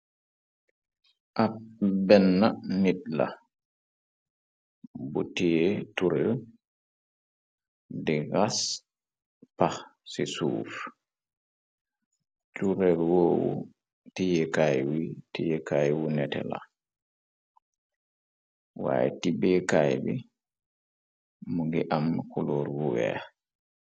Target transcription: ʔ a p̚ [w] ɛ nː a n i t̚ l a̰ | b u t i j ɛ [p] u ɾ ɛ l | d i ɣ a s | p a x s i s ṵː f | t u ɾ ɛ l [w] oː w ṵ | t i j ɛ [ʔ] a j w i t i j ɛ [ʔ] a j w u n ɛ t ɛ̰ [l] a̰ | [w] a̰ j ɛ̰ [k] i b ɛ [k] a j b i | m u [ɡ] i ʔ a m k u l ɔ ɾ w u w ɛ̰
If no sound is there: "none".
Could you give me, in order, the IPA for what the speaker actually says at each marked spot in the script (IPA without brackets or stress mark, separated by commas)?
b, t, w, k, k, l, w, t, k, ɡ